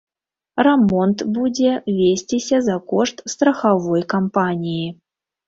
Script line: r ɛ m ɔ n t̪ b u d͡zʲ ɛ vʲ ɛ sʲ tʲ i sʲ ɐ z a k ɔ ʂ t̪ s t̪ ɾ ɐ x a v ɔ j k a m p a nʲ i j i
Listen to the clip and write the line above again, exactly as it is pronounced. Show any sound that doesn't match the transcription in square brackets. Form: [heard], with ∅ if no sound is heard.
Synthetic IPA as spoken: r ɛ m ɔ n t̪ b u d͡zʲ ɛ vʲ [e] sʲ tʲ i sʲ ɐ z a k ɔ ʂ t̪ s t̪ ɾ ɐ x a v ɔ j k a m p a nʲ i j i